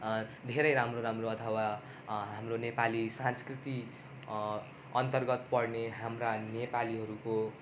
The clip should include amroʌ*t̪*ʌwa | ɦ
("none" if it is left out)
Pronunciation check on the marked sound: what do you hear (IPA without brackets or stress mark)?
t̪ʰ